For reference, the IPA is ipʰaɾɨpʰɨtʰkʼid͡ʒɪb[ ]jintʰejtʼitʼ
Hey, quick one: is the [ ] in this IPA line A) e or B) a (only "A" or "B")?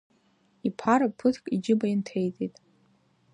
B